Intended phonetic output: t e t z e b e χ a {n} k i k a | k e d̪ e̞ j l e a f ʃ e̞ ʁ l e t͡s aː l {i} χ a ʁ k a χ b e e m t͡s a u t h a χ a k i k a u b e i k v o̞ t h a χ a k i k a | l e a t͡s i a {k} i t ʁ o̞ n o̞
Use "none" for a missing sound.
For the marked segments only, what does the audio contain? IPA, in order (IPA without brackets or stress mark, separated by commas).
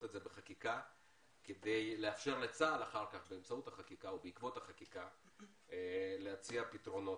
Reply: none, a, p